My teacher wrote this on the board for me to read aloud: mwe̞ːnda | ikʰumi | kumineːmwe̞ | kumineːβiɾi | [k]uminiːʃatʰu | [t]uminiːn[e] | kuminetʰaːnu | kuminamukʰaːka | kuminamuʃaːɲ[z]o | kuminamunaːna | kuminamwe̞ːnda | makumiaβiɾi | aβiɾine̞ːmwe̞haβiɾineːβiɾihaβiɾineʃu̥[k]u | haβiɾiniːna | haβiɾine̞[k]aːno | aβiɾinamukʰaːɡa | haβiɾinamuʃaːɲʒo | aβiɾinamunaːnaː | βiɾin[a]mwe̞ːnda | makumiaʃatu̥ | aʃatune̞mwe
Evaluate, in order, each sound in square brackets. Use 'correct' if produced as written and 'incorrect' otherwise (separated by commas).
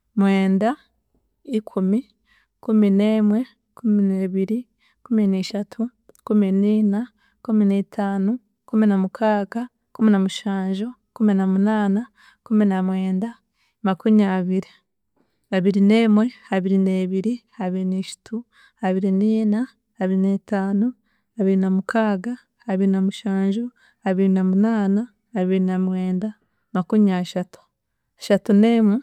correct, incorrect, incorrect, incorrect, incorrect, incorrect, correct